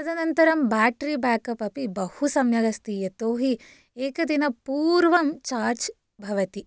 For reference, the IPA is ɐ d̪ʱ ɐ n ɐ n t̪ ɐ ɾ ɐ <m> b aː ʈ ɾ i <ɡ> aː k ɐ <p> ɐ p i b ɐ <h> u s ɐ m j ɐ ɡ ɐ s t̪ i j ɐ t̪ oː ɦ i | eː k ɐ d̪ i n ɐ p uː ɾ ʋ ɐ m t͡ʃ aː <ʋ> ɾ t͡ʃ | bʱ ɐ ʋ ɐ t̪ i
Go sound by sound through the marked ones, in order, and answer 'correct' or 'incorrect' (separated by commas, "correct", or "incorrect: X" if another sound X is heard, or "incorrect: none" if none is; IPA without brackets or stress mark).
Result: correct, incorrect: b, correct, correct, incorrect: none